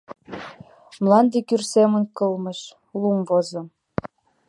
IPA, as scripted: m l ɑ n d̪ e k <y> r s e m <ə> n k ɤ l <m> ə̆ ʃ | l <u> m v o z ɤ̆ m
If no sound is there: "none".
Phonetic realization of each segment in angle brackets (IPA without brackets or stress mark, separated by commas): y, ə, m, u